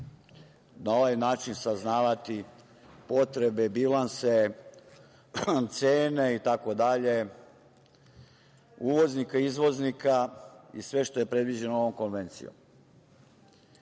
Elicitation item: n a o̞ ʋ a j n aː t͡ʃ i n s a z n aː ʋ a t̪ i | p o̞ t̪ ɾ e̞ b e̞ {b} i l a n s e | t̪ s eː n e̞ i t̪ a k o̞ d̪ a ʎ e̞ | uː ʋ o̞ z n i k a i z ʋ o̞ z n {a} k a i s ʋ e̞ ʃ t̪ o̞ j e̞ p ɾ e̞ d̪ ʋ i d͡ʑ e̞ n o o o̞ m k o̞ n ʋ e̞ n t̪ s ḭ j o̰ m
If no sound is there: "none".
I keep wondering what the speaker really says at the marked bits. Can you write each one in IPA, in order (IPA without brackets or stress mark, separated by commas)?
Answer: b, i